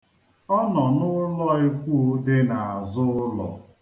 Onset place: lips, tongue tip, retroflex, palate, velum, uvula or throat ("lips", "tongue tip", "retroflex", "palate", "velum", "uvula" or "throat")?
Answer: tongue tip